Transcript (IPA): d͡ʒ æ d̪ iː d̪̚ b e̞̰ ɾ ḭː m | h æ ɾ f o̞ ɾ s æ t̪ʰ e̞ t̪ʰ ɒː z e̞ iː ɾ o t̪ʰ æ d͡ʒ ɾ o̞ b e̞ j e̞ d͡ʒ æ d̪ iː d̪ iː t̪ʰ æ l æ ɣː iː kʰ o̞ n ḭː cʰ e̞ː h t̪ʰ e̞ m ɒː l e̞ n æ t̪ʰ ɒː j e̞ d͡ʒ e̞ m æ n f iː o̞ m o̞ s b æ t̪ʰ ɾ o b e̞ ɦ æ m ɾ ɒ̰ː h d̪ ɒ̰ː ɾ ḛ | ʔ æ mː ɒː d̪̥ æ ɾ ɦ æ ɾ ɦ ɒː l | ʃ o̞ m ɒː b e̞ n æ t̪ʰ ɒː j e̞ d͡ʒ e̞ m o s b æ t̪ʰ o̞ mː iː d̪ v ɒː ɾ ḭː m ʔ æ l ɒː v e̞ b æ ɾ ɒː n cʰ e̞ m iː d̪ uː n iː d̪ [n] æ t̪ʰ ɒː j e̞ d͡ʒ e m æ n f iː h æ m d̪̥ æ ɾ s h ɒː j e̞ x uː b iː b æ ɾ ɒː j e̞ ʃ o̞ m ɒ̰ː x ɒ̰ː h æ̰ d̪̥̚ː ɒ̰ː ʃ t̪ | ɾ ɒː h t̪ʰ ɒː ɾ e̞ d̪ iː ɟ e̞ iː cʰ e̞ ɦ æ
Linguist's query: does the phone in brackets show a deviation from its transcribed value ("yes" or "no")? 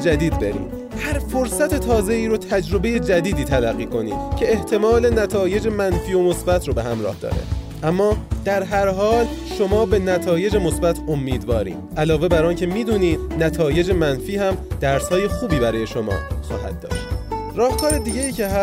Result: no